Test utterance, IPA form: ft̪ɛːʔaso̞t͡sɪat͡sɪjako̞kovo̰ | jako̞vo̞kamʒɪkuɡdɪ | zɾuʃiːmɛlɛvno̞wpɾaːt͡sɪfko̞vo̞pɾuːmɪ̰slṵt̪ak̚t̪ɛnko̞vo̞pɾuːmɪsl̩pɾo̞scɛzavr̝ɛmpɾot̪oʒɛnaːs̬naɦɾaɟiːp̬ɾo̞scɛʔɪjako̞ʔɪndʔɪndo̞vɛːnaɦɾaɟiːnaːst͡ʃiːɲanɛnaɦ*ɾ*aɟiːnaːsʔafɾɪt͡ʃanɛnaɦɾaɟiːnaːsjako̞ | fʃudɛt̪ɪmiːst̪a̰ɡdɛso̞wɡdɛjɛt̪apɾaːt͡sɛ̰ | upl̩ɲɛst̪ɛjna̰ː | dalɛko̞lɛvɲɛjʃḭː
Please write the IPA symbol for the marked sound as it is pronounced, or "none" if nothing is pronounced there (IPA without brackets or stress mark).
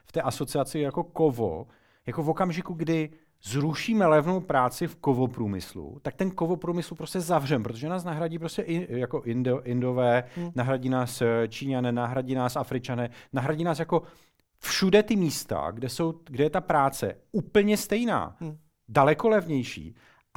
ɾ